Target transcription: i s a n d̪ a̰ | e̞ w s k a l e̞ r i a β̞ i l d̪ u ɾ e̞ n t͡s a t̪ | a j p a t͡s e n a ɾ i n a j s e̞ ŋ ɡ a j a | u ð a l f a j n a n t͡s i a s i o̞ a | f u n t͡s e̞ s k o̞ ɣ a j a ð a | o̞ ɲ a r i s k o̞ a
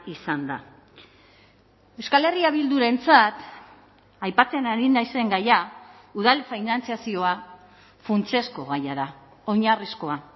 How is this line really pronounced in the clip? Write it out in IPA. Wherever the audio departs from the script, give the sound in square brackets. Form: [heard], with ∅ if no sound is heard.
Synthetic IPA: i s a n d̪ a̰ | e̞ w s k a l e̞ r i a β̞ i l d̪ u ɾ e̞ n t͡s a t̪ | a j p a t͡s e n a ɾ i n a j s e̞ ŋ ɡ a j a | u ð a l f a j n a n t͡s i a s i o̞ a | f u n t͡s e̞ s k o̞ ɣ a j a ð a | o̞ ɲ a r i s k o̞ a